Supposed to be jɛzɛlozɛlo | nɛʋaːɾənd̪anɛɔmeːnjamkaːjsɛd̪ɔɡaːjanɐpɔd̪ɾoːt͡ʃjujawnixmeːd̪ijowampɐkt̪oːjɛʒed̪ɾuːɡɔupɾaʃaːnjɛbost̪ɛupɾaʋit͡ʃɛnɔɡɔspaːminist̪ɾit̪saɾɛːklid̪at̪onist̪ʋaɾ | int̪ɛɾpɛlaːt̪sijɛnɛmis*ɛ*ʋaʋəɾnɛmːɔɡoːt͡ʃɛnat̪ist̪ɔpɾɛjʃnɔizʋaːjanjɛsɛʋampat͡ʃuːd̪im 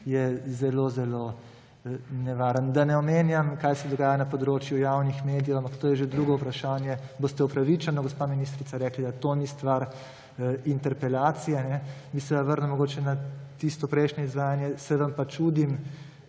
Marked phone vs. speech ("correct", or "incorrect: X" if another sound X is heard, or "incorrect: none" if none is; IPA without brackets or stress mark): correct